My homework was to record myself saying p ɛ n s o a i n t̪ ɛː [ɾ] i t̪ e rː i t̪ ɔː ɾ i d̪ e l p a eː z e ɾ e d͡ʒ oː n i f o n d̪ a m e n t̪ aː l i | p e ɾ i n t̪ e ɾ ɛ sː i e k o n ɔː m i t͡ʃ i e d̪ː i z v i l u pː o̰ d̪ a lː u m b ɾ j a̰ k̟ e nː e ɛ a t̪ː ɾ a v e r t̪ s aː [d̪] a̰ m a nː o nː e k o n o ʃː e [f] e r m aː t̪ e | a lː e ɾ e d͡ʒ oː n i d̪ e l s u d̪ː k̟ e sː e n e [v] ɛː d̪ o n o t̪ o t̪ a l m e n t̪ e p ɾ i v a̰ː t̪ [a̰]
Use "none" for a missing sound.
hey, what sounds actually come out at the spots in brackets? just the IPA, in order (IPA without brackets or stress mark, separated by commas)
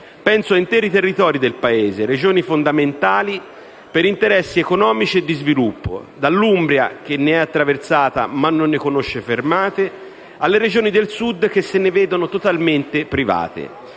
ɾ, t̪, f, v, ḛ